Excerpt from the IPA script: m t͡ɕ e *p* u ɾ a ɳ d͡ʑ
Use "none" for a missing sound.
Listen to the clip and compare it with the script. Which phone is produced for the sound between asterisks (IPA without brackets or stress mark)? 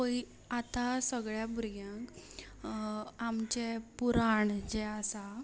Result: p